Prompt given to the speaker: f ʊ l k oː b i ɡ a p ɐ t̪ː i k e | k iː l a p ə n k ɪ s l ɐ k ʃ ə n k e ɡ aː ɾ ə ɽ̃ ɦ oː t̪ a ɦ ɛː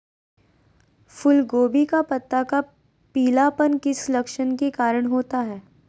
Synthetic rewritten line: f ʊ l ɡ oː b i k a p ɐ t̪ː a k a | p iː l a p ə n k ɪ s l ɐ k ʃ ə n k e k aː ɾ ə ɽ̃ ɦ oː t̪ a ɦ ɛː